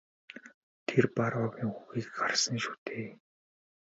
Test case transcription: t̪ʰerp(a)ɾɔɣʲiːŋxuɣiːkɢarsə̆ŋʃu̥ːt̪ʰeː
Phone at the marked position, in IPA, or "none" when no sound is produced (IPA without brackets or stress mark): a